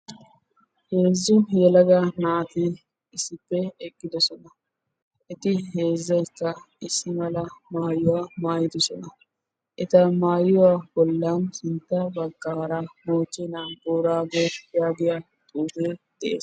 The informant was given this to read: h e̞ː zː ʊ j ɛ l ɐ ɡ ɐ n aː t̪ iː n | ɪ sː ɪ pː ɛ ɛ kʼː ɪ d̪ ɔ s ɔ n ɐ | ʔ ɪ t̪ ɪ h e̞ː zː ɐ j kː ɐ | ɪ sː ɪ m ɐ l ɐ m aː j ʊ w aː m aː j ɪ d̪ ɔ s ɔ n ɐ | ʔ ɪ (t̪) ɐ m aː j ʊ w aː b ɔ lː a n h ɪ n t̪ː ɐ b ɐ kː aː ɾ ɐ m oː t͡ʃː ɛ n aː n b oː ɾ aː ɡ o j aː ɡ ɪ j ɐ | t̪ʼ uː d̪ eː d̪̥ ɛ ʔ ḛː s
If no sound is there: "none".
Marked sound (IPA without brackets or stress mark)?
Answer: t̪